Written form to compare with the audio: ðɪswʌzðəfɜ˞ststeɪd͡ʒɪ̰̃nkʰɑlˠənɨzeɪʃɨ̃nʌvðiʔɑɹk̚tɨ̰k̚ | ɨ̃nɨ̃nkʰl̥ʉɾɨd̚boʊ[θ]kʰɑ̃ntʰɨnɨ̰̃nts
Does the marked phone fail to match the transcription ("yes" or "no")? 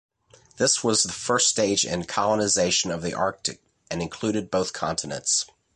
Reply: no